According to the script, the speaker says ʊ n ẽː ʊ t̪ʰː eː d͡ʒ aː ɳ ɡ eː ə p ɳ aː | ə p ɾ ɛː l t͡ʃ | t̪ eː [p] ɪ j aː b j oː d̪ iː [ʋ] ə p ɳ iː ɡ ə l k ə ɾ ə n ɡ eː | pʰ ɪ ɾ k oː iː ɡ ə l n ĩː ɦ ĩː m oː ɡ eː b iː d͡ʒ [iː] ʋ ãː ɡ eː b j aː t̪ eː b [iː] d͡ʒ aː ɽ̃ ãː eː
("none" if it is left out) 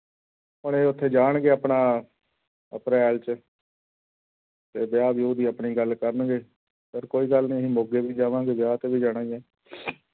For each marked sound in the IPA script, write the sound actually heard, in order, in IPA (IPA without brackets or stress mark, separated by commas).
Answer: b, none, aː, iː